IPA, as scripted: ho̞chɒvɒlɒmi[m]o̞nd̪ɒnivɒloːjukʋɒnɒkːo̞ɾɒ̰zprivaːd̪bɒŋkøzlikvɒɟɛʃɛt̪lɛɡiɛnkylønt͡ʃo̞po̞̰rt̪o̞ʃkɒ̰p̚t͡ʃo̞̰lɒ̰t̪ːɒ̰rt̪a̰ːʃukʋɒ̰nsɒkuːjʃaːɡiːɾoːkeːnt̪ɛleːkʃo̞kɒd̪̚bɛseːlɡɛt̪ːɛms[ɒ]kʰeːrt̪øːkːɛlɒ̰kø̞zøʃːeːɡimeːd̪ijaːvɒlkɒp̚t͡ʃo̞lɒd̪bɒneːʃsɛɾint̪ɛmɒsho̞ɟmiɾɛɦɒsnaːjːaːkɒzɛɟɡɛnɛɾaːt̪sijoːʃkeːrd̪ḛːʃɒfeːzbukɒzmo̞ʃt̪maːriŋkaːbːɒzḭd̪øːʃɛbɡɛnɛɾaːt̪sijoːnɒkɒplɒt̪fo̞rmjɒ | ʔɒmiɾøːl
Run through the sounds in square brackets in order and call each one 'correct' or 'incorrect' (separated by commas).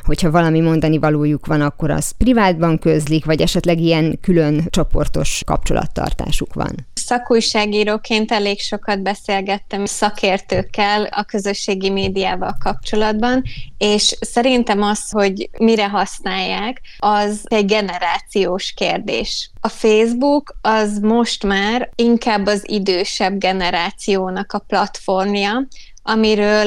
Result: correct, correct